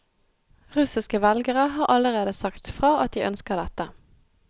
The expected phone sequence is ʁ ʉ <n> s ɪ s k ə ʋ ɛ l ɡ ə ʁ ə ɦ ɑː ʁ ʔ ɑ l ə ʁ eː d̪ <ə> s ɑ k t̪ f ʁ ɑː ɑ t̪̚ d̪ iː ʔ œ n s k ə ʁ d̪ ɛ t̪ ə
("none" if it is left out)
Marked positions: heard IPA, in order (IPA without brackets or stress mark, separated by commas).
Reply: none, ə